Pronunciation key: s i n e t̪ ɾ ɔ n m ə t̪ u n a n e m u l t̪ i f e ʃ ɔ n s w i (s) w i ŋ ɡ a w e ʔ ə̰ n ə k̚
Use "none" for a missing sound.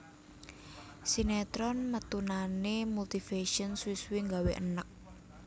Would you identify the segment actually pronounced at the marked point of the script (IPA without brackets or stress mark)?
s